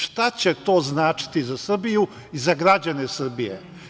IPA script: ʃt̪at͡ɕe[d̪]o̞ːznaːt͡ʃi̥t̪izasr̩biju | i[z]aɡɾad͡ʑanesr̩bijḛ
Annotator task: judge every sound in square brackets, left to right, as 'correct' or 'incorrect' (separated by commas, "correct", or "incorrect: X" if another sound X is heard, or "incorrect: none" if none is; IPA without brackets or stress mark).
incorrect: t̪, correct